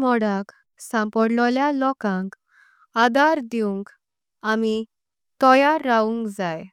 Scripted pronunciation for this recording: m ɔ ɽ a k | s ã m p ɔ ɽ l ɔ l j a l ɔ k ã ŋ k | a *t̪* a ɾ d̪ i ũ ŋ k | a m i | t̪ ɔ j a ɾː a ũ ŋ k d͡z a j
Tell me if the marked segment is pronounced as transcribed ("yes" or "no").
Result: no